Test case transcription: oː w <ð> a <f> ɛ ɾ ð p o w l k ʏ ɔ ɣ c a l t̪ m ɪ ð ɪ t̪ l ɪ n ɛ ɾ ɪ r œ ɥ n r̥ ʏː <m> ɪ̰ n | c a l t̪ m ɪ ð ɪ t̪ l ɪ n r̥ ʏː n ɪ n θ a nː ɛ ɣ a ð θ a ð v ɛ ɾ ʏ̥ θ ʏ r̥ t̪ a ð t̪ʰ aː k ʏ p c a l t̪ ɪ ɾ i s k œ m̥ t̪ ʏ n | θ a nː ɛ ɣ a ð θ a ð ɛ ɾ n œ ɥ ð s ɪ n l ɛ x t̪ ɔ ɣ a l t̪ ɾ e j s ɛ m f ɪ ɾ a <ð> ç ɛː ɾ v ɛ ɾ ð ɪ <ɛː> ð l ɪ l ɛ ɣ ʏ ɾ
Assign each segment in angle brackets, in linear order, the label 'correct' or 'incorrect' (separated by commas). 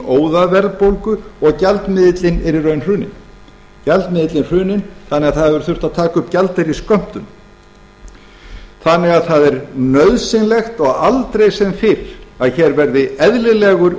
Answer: correct, incorrect, incorrect, correct, incorrect